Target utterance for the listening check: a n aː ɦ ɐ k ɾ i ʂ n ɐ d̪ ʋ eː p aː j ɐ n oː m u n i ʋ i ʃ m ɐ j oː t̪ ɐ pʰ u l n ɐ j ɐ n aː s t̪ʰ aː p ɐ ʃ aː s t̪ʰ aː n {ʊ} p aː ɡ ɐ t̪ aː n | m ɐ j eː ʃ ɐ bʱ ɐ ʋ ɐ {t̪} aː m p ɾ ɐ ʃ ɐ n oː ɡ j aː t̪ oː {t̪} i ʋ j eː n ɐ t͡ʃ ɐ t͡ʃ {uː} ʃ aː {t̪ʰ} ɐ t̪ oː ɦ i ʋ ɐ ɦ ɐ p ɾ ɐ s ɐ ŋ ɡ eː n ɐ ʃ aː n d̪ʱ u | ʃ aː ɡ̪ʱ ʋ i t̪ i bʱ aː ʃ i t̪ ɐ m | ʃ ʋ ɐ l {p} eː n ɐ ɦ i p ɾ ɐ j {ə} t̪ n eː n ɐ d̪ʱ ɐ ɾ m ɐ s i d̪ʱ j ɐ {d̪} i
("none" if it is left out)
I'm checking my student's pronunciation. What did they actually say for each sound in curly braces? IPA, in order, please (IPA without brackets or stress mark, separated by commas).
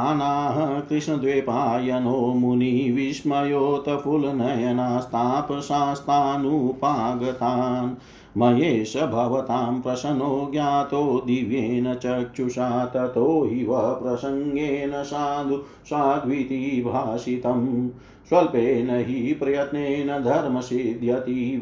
u, t̪, d̪, u, t̪, p, ɐ, t̪